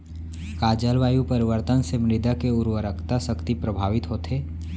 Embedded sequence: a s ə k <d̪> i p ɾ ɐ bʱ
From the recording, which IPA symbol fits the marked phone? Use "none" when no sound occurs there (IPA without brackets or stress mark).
t̪